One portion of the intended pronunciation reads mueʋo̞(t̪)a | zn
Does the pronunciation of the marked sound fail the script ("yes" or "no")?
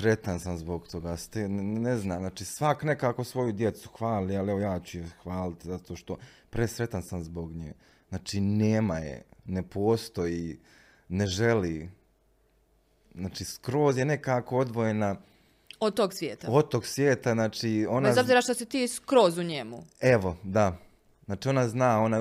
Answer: yes